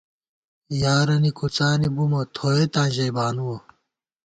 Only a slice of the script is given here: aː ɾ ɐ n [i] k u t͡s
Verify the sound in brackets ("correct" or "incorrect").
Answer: correct